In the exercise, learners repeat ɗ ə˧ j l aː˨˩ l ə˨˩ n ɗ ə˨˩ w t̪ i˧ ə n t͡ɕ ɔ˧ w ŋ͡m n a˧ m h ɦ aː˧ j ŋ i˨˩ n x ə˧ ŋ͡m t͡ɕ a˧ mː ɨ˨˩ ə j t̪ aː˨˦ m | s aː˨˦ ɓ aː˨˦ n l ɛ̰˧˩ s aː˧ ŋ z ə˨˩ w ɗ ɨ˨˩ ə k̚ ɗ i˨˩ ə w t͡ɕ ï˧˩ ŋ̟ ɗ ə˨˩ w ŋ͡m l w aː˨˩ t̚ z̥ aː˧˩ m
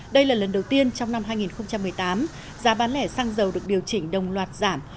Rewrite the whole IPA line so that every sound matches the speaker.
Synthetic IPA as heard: ɗ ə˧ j l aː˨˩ l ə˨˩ n ɗ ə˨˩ w t̪ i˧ ə n t͡ɕ ɔ˧ w ŋ͡m n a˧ m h ɦ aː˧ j ŋ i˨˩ n x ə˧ ŋ͡m t͡ɕ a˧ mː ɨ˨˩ ə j t̪ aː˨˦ m | z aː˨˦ ɓ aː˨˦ n l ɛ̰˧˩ s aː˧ ŋ z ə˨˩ w ɗ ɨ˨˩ ə k̚ ɗ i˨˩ ə w t͡ɕ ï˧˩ ŋ̟ ɗ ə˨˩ w ŋ͡m l w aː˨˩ t̚ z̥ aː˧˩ m